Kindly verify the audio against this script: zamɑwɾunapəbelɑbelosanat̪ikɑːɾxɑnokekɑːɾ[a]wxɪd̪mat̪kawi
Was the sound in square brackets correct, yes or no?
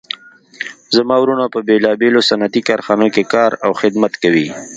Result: yes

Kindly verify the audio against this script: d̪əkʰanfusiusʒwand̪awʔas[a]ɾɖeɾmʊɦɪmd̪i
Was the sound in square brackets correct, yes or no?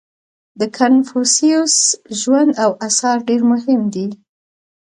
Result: no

